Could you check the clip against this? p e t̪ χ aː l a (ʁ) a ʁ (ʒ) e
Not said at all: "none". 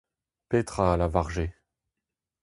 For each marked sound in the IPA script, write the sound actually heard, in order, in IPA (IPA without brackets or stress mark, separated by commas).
v, ʒ